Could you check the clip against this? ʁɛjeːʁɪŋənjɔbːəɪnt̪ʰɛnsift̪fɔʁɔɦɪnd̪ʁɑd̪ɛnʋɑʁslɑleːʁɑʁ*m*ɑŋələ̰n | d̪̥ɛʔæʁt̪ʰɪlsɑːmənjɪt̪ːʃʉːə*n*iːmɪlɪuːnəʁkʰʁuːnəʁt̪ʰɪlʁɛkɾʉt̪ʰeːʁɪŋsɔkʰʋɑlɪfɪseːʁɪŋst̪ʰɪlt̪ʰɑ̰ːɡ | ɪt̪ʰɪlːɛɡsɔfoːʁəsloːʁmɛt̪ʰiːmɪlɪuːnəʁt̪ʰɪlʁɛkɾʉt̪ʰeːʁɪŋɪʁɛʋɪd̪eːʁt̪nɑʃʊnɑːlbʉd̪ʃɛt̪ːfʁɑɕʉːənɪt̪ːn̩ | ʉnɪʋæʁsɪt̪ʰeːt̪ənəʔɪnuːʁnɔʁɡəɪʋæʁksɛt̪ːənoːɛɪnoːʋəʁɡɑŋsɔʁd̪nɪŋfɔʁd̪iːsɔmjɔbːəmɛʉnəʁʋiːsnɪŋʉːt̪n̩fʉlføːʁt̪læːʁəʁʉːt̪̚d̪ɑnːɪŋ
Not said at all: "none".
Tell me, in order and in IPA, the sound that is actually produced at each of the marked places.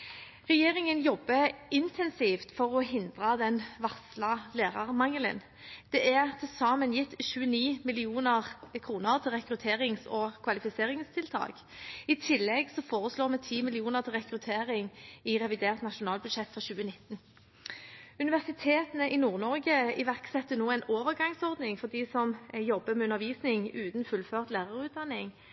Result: m, n

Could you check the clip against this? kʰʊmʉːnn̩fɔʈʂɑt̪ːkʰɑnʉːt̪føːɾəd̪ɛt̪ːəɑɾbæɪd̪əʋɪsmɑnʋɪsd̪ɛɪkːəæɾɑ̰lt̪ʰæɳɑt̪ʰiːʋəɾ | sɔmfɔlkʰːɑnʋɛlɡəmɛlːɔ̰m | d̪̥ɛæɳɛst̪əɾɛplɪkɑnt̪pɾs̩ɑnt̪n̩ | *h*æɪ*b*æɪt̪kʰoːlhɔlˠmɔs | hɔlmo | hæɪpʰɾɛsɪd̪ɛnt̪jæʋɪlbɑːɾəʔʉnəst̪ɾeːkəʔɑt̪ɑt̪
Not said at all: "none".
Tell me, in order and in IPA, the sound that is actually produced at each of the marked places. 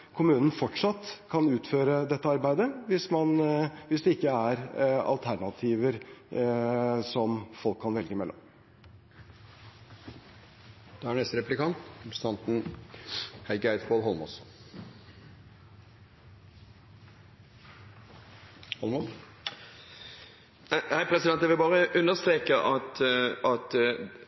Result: h, ɡ

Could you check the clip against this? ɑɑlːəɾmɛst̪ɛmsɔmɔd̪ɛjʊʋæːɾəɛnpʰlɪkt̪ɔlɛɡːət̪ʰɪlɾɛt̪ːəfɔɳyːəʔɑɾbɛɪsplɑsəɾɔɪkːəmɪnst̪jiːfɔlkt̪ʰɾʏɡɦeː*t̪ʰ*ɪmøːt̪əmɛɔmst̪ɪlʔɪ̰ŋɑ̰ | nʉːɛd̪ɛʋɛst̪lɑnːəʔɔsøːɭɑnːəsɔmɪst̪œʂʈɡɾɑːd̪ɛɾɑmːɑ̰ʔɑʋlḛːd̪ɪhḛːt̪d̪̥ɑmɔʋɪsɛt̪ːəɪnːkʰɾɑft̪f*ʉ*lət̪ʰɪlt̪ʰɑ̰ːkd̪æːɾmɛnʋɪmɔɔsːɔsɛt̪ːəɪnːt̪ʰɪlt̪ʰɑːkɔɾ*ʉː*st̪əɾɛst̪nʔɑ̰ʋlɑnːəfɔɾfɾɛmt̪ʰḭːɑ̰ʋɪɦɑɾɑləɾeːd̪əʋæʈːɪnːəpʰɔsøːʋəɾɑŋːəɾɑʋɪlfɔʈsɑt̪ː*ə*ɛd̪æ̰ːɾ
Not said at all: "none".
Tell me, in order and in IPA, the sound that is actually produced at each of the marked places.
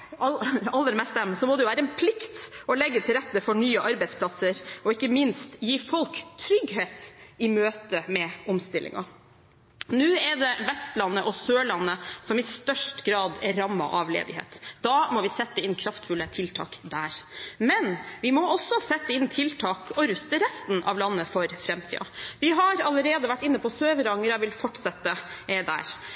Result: t̪, ʉ, ʉ, ə

